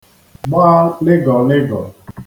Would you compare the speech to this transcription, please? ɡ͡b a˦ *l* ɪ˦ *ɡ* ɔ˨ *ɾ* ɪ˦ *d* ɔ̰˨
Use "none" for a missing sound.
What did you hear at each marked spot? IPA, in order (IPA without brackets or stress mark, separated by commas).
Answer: l, ɡ, l, ɡ